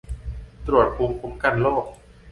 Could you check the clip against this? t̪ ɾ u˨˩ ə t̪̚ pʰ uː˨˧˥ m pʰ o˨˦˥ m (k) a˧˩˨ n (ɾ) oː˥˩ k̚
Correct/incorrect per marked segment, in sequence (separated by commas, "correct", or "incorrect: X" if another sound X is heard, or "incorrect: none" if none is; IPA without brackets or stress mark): correct, incorrect: l